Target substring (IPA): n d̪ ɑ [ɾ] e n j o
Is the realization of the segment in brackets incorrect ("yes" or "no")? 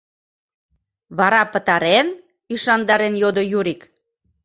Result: no